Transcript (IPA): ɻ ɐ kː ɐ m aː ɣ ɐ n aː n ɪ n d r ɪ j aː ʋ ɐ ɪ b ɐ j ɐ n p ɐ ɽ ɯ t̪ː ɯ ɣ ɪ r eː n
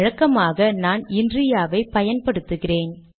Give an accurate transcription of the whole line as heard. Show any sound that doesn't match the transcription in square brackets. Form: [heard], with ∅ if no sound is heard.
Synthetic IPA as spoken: ɻ ɐ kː ɐ m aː ɣ ɐ n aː n ɪ n d r ɪ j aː ʋ ɐ ɪ [p] ɐ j ɐ n p ɐ ɽ ɯ t̪ː ɯ ɣ ɪ r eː n